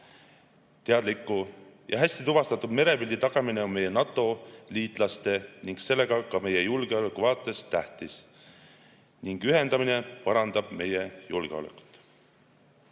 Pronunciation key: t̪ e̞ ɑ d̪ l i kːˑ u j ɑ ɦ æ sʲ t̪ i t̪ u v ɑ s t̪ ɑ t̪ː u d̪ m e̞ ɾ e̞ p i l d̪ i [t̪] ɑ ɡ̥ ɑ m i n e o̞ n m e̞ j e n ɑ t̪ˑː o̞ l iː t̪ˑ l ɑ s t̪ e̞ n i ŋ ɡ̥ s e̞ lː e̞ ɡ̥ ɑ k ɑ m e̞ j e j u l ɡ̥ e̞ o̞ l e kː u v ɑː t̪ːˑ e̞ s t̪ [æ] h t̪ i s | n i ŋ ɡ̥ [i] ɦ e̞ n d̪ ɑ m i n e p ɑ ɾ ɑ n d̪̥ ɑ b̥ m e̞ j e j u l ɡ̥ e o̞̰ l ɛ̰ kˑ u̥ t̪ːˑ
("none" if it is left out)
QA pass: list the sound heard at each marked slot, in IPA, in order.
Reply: t̪, æ, y

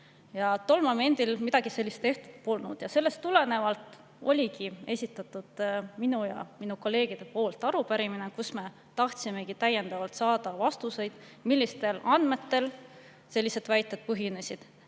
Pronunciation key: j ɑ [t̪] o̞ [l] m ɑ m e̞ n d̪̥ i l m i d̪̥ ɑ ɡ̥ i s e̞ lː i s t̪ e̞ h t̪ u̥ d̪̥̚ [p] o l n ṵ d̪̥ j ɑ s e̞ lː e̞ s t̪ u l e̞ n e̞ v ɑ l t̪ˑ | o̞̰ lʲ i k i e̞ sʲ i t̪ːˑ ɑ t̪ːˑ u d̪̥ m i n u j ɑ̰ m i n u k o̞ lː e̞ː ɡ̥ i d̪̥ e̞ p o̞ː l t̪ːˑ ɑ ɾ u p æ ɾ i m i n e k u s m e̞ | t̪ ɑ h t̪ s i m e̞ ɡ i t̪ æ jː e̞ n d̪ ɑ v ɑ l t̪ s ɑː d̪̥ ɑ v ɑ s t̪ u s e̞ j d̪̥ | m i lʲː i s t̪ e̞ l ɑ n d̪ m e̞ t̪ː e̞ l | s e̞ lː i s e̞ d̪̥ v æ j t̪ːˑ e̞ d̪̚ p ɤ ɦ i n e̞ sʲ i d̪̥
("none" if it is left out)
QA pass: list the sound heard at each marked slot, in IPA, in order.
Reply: t̪, l, p

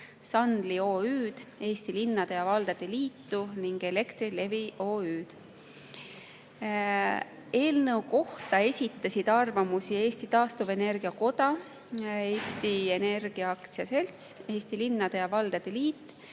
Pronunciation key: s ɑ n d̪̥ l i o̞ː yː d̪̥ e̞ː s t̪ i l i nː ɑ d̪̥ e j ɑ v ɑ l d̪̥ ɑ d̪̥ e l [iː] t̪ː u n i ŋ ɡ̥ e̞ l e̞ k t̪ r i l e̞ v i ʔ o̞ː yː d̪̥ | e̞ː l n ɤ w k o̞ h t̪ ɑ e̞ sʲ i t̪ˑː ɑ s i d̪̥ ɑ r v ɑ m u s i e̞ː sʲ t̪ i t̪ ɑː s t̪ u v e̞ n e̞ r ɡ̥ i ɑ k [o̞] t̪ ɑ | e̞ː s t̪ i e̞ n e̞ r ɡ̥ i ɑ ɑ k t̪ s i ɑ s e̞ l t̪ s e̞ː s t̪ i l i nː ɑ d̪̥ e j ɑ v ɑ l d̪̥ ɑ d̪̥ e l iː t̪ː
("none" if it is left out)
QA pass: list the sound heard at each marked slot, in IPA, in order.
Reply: iː, o̞

